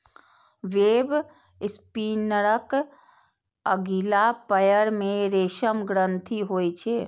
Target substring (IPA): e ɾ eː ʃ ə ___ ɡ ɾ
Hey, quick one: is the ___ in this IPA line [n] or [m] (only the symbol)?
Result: m